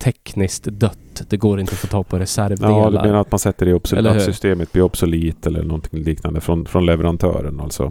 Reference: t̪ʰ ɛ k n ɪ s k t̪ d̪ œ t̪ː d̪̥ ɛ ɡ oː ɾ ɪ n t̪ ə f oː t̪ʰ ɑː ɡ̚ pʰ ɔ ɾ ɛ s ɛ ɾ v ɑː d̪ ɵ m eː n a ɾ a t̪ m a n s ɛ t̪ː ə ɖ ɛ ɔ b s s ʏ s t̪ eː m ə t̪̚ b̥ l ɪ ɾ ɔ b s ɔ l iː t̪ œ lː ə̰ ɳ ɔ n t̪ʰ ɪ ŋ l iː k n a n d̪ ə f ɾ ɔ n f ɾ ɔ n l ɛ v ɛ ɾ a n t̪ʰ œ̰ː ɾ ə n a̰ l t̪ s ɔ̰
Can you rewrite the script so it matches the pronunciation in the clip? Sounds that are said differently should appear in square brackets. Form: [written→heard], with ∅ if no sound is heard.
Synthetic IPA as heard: t̪ʰ ɛ k n ɪ s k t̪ d̪ œ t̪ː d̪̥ ɛ ɡ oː ɾ ɪ n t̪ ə f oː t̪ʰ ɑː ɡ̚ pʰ ɔ ɾ ɛ s [ɛ→æ] ɾ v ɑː d̪ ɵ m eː n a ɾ a t̪ m a n s ɛ t̪ː ə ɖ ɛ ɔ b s s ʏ s t̪ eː m ə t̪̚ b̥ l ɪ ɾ ɔ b s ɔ l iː t̪ [œ→ɛ] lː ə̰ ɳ ɔ n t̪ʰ ɪ ŋ l iː k n a n d̪ ə f ɾ ɔ n f ɾ ɔ n l ɛ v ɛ ɾ a n t̪ʰ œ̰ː ɾ ə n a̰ l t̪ s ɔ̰